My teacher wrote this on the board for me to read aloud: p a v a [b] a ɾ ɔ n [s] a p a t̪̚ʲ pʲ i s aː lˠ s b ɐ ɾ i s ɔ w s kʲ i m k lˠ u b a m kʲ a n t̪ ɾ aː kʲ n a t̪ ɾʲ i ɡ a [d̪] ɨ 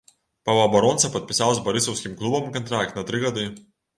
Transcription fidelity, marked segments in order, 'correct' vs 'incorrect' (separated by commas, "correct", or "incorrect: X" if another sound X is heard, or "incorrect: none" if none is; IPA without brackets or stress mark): correct, correct, correct